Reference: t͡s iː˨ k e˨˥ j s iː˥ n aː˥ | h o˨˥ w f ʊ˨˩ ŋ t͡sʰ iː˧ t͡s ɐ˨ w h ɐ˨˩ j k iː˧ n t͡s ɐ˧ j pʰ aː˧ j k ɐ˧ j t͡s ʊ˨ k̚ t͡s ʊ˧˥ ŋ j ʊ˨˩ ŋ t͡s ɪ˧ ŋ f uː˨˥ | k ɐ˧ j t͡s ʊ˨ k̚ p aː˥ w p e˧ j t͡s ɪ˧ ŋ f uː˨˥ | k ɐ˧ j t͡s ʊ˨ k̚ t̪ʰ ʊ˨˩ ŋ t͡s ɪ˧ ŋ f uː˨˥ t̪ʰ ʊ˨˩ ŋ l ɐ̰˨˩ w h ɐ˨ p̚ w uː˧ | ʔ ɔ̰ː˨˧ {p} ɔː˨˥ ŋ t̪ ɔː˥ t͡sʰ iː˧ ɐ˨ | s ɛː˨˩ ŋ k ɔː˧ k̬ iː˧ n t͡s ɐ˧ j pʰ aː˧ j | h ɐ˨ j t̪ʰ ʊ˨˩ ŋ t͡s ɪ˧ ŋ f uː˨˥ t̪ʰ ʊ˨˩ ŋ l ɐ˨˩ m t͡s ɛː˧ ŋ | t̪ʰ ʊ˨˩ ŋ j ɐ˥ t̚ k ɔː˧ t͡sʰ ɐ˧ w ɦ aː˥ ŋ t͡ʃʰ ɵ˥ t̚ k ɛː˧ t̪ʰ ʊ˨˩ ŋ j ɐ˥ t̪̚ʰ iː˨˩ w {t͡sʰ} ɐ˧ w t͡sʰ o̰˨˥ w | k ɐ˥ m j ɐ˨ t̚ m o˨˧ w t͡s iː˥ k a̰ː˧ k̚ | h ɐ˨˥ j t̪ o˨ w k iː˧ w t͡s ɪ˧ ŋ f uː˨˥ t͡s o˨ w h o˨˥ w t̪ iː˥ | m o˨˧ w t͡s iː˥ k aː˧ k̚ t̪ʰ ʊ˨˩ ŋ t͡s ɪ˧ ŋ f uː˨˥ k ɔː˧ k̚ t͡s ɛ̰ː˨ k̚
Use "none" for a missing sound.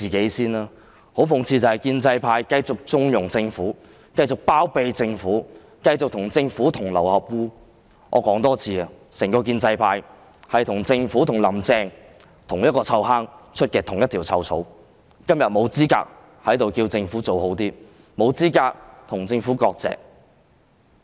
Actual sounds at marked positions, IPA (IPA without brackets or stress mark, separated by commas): k, t͡sʰ